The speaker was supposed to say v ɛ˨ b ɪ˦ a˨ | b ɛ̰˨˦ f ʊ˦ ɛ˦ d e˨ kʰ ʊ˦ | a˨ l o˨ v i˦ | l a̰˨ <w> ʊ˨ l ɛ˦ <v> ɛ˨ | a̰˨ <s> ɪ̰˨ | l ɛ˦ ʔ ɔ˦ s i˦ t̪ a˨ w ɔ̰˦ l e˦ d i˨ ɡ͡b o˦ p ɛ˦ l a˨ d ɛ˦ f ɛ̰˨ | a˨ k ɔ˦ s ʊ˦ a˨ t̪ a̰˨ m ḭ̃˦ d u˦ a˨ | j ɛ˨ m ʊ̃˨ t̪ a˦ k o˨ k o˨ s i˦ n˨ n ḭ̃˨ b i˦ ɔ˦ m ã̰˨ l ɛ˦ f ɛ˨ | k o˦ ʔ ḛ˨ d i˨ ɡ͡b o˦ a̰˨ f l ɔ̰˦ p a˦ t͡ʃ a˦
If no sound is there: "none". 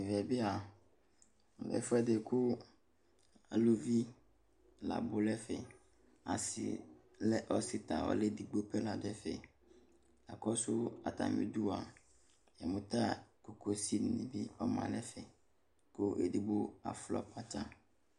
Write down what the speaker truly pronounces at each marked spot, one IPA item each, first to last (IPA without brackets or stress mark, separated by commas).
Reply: b, f, s